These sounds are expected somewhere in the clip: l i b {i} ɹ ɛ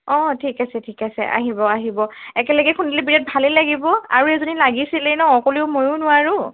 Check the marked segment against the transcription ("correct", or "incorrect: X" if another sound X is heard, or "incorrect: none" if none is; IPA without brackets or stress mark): correct